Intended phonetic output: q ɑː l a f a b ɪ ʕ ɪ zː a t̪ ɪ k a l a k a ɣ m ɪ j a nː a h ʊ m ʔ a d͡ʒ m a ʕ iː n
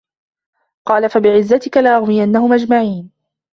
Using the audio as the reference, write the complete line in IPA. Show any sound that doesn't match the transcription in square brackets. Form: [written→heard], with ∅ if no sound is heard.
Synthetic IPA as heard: q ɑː l a f a b ɪ ʕ ɪ zː a t̪ ɪ k a l a [k→ʔ] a ɣ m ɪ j a nː a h ʊ m ʔ a d͡ʒ m a ʕ iː n

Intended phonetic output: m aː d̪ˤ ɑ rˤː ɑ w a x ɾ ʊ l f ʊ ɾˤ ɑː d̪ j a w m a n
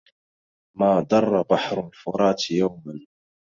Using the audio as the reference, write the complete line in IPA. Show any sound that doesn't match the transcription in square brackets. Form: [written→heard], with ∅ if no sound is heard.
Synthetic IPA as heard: m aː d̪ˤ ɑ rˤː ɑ [w→b] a [x→ħ] ɾ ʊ l f ʊ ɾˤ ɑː [d̪→t̪] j a w m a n

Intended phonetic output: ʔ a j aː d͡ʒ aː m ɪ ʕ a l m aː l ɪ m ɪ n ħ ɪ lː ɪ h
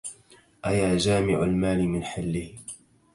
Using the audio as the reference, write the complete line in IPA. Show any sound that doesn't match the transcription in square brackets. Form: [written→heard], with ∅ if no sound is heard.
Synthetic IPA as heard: ʔ a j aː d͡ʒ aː m ɪ ʕ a l m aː l ɪ m ɪ n ħ ɪ lː ɪ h

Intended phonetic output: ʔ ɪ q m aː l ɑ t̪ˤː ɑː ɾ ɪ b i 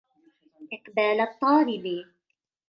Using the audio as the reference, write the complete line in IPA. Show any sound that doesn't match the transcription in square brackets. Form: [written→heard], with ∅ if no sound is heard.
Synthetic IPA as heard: ʔ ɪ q [m→b] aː l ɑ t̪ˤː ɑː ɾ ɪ b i

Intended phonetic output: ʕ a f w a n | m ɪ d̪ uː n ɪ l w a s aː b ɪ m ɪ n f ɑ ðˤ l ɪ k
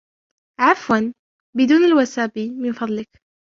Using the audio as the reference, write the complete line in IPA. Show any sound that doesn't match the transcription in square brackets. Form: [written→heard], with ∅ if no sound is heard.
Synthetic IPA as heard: ʕ a f w a n | [m→b] ɪ d̪ uː n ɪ l w a s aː b [ɪ→i] m ɪ n f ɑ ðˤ l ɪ k

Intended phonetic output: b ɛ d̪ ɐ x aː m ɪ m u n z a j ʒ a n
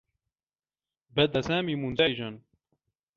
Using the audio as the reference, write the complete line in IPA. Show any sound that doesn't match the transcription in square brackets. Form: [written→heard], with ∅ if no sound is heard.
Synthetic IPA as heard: b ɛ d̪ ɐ [x→s] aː m [ɪ→i] m u n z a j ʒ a n

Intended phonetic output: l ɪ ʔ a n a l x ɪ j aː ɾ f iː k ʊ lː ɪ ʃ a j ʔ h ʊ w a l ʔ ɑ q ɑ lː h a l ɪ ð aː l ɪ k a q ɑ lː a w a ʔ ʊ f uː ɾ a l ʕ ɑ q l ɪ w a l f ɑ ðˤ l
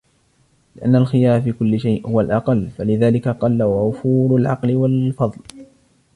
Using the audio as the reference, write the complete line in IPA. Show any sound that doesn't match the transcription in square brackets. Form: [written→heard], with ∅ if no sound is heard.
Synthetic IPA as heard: l ɪ ʔ a [n→nː] a l x ɪ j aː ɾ f iː k ʊ lː ɪ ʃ a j ʔ h ʊ w a l ʔ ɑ q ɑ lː [h→f] a l ɪ ð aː l ɪ k a q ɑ lː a w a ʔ ʊ f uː ɾ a l ʕ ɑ q l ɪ w a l f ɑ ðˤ l

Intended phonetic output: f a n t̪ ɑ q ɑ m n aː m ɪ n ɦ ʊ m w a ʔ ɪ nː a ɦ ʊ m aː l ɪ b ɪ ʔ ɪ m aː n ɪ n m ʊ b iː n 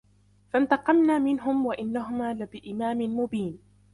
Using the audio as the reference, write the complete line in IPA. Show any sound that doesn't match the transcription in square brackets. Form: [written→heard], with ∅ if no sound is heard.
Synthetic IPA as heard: f a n t̪ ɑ q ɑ m n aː m ɪ n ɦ ʊ m w a ʔ ɪ nː a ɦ ʊ m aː l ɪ b ɪ ʔ ɪ m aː [n→m] ɪ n m ʊ b iː n

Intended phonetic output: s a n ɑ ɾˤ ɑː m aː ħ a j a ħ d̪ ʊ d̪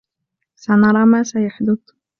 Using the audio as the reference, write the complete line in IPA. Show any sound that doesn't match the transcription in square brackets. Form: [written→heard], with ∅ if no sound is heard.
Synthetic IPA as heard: s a n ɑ ɾˤ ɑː m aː [ħ→s] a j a ħ d̪ ʊ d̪

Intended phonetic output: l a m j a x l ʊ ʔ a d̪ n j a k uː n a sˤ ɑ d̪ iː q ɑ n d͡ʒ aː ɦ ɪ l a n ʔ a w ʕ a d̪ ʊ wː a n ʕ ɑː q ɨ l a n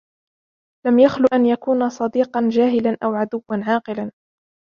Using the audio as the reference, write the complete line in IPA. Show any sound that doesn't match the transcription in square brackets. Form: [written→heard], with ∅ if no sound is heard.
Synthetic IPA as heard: l a m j a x l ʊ ʔ a [d̪→∅] n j a k uː n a sˤ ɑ d̪ iː q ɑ n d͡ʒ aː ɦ ɪ l a n ʔ a w ʕ a d̪ ʊ wː a n ʕ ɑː q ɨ l a n

